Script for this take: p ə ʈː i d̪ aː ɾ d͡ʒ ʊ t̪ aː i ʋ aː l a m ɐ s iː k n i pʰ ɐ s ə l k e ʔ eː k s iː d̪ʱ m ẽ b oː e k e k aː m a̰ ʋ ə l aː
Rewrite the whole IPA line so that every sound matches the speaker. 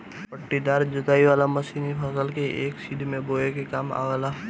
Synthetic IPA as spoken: p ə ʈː i d̪ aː ɾ d͡ʒ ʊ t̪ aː i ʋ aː l a m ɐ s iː n i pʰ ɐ s ə l k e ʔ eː k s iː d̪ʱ m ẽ b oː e k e k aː m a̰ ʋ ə l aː